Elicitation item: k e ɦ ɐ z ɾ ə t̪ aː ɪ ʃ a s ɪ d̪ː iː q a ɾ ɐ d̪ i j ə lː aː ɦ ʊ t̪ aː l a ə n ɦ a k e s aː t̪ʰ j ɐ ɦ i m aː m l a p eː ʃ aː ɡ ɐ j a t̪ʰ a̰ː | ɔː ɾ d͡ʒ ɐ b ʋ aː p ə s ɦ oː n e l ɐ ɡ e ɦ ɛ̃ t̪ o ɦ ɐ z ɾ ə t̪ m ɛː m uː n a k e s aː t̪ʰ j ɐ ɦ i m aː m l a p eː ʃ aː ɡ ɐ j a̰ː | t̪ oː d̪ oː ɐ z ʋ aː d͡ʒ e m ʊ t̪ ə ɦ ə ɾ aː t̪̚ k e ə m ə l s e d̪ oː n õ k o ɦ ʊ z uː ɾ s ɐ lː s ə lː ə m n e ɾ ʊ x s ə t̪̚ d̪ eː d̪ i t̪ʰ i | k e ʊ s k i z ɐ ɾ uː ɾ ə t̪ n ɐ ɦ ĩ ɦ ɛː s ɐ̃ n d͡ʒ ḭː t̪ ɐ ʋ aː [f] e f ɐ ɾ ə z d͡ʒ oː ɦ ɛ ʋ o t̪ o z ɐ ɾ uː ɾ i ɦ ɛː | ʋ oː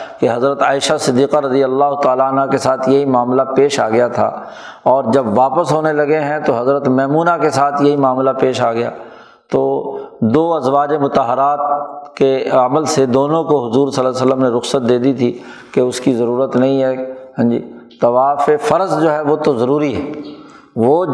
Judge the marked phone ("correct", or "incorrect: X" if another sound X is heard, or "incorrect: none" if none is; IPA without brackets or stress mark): correct